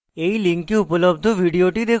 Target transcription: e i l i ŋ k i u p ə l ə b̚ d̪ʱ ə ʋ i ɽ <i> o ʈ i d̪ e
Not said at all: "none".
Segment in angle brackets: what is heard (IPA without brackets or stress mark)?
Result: i